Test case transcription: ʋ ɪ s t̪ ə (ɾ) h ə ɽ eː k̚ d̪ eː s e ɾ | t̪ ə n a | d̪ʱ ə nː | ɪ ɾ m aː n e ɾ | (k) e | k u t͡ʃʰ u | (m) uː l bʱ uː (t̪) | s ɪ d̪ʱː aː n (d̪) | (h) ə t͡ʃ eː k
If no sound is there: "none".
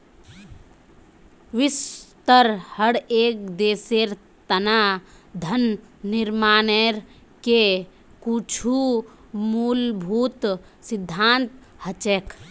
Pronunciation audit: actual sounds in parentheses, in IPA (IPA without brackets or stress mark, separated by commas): ɾ, k, m, t̪, t̪, h